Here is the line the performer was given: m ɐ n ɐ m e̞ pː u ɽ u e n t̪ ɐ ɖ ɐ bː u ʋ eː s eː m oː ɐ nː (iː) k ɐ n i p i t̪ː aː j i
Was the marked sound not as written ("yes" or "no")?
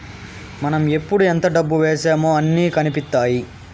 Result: no